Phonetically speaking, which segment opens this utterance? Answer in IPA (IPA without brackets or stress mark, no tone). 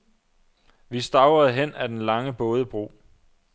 ʋ